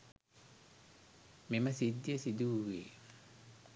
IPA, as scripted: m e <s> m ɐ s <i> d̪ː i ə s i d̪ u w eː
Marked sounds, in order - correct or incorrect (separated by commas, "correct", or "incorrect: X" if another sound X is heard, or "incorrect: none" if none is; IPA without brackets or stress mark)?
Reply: incorrect: none, correct